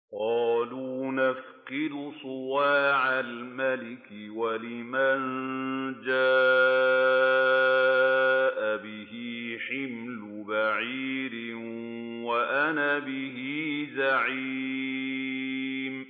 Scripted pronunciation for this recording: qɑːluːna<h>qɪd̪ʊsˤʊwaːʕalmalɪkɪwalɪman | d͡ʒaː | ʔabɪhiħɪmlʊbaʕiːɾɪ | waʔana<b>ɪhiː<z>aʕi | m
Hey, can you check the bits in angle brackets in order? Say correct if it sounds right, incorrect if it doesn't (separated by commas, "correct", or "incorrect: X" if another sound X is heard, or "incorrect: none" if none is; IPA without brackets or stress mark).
incorrect: f, correct, correct